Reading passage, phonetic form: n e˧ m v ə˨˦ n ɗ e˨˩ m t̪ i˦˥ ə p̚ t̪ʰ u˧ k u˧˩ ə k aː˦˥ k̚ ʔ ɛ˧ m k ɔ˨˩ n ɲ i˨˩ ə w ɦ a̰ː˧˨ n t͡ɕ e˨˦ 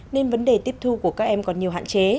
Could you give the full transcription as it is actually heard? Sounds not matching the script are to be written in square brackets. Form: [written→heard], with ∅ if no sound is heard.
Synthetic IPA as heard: n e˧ [m→n] v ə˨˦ n ɗ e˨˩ [m→∅] t̪ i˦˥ ə p̚ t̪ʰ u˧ k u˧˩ ə k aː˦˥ k̚ ʔ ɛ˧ m k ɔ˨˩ n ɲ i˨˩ ə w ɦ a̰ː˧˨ n t͡ɕ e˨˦